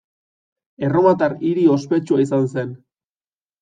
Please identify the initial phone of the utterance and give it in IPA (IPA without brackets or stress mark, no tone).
e̞